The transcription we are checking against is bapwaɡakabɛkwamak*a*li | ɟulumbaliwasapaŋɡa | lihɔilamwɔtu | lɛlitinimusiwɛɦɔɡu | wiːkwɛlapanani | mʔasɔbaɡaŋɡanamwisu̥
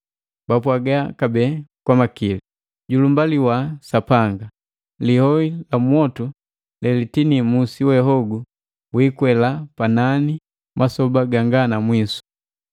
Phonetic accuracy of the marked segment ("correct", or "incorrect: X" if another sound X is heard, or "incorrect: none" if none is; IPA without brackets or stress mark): incorrect: i